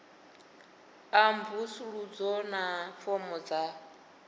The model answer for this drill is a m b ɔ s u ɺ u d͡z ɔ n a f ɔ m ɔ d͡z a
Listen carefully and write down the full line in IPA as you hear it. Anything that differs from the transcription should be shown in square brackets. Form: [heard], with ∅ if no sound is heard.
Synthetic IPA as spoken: a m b [u] s u ɺ u d͡z ɔ n a f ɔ m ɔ d͡z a